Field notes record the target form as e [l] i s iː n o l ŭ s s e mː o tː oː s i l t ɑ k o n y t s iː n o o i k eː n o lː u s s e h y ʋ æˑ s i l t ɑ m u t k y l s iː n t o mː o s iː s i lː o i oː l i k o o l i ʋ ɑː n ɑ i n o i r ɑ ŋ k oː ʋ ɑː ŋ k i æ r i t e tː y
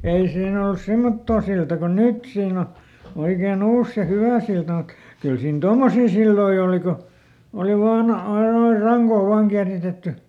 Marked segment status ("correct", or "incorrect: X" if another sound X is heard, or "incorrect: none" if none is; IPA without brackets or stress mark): incorrect: none